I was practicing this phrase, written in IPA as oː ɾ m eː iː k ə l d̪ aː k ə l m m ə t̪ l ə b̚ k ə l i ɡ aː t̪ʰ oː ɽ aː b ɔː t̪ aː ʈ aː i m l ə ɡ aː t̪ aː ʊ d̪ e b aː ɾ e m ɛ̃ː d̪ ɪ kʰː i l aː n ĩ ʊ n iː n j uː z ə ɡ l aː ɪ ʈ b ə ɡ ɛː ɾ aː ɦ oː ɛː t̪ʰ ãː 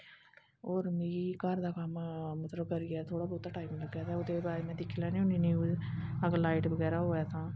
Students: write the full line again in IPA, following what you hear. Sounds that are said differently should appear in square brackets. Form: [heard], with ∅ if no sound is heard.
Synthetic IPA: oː ɾ m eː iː k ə [ɾ] d̪ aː k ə [∅] m m ə t̪ l ə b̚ k ə [ɾ] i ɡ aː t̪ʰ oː ɽ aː b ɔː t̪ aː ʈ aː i m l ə ɡ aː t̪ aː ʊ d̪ e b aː ɾ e m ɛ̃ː d̪ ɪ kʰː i l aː n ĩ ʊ n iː n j uː z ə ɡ l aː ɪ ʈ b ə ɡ ɛː ɾ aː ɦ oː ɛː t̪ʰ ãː